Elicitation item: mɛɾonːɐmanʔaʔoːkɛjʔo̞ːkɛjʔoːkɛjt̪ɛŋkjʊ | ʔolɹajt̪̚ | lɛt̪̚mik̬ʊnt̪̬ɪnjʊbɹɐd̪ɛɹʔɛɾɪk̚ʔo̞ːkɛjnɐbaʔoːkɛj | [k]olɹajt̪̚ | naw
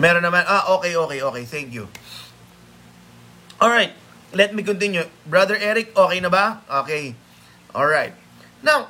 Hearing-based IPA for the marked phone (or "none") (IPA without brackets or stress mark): ʔ